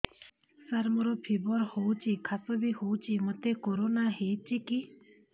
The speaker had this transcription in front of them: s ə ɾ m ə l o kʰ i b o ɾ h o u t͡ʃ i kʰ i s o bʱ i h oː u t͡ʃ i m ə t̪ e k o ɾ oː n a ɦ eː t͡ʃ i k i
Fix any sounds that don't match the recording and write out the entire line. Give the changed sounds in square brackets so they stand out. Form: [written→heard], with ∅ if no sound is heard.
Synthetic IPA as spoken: s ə ɾ m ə [l→ɾ] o [kʰ→pʰ] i b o ɾ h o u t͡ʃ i kʰ [i→a] s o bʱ i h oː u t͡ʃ i m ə t̪ e k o ɾ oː n a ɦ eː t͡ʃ i k i